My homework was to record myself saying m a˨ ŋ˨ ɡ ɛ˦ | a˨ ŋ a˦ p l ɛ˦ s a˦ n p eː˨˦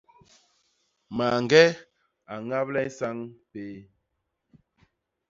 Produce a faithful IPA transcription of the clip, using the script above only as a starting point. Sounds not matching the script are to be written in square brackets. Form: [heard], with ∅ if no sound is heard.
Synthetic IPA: m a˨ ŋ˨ ɡ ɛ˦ | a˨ ŋ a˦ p l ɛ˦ s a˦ [ŋ] p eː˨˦